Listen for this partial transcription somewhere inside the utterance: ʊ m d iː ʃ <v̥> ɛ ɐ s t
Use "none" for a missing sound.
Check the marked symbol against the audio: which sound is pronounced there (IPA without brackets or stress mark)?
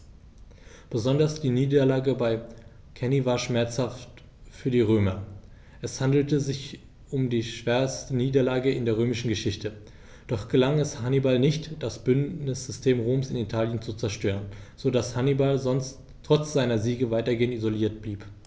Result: v̥